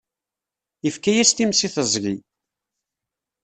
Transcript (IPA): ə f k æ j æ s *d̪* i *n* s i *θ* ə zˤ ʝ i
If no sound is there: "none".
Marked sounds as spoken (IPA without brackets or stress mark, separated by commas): t̪, m, θ